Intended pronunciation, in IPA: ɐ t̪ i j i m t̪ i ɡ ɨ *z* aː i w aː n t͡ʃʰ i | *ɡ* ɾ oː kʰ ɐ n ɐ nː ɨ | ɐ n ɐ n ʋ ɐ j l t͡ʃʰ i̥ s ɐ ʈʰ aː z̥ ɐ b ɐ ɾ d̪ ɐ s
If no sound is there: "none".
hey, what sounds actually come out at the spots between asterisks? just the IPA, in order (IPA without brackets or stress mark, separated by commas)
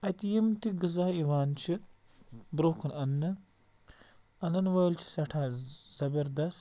z, b